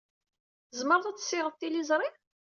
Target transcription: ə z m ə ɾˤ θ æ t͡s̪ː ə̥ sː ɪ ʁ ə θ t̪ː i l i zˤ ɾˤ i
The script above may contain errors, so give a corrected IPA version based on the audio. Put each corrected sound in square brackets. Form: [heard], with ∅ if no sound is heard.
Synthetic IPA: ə z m ə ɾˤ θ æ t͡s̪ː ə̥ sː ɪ ʁ ə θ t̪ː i l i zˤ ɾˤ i